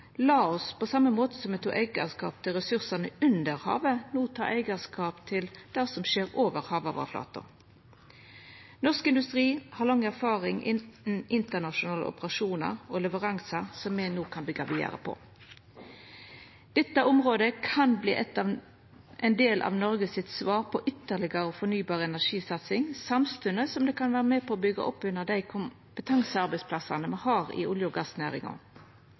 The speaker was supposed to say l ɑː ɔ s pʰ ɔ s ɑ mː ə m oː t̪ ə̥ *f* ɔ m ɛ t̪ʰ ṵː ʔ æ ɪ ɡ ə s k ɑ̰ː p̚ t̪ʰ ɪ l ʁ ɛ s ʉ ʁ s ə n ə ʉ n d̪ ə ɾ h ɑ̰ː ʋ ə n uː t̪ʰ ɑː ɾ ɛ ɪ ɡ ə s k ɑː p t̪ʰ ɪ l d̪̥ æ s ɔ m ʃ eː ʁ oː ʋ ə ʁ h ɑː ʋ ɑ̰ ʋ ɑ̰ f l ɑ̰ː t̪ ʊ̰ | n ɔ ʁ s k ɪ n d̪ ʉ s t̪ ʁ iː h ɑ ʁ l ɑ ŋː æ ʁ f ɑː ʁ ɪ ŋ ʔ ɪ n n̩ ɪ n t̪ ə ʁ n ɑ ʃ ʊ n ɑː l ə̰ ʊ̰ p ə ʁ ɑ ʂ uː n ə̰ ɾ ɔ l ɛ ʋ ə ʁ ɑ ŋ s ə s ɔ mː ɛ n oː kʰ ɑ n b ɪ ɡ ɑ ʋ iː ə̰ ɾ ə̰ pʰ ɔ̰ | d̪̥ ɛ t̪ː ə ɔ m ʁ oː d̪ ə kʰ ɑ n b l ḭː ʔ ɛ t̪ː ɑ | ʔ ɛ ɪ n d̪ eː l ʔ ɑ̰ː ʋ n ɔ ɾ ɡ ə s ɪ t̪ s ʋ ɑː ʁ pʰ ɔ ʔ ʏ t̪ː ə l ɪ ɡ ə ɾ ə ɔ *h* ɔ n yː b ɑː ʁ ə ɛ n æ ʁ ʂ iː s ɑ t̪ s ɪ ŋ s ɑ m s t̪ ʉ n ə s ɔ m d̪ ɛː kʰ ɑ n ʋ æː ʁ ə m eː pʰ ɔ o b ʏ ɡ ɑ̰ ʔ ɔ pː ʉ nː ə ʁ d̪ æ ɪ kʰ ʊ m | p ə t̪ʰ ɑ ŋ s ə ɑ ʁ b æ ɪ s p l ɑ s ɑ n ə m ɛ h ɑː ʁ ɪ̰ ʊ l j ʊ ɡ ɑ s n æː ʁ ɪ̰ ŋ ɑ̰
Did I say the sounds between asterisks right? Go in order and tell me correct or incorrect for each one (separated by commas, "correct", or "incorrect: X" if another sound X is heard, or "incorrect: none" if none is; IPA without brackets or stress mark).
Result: incorrect: s, incorrect: f